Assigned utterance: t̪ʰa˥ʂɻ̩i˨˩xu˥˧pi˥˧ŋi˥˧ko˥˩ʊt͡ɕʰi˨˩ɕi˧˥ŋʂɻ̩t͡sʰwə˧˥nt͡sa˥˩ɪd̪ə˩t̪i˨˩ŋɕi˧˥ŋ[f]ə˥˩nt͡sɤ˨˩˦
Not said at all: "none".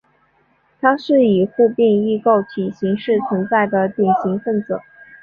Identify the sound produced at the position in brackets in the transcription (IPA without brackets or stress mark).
f